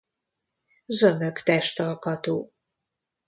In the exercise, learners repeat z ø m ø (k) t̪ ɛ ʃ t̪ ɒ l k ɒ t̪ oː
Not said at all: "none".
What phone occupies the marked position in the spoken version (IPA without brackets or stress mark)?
k